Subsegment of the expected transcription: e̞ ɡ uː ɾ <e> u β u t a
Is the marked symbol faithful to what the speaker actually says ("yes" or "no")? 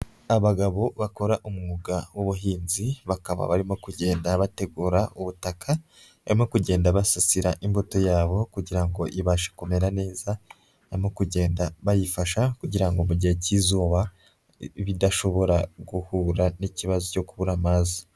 no